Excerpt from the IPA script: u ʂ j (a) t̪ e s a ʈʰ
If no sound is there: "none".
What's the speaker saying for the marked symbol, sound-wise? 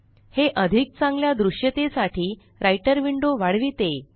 ə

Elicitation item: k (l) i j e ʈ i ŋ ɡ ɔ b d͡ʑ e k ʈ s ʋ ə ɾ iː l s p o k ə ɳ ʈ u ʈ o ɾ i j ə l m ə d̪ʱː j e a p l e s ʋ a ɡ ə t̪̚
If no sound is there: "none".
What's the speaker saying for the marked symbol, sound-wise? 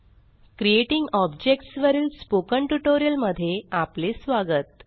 ɾ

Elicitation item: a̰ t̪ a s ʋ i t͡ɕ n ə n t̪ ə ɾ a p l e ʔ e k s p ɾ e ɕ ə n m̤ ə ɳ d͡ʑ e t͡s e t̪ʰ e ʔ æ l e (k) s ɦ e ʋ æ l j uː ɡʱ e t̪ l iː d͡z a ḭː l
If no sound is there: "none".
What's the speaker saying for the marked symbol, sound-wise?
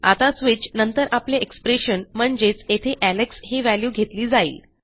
k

